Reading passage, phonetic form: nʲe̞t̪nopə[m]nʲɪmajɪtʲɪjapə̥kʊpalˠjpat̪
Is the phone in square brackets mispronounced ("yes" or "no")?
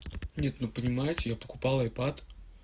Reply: yes